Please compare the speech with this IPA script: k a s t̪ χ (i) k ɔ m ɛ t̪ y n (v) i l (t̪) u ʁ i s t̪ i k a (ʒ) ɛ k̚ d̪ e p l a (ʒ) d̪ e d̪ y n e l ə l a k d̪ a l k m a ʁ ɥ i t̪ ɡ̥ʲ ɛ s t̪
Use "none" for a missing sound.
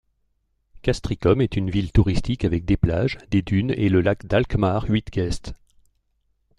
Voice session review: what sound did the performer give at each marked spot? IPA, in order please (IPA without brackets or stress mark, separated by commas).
i, v, t̪, v, ʒ